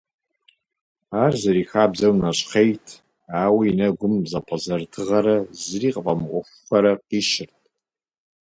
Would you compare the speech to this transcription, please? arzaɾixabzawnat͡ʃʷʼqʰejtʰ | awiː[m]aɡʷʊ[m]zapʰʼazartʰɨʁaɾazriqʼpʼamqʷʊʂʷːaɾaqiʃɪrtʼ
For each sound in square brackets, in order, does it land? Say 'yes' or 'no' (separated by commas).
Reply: no, yes